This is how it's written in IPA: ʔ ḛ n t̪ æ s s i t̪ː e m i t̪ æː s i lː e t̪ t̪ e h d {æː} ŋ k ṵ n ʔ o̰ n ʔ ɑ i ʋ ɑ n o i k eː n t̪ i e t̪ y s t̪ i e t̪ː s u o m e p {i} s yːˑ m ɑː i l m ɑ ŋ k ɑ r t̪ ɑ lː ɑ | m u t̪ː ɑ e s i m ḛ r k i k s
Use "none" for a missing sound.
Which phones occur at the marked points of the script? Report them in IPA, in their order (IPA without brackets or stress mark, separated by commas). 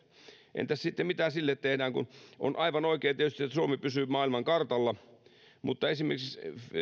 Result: æː, y